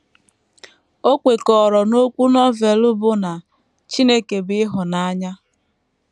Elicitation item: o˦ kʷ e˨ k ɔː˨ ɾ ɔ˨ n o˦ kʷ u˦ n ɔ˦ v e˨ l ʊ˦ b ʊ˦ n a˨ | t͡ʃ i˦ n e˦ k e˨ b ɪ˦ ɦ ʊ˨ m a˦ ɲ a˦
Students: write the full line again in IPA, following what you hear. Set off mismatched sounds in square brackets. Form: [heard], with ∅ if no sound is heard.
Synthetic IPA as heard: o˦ kʷ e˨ k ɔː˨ ɾ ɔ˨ n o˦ kʷ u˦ n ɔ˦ v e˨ l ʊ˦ b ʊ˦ n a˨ | t͡ʃ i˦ n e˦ k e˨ b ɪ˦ ɦ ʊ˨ [n] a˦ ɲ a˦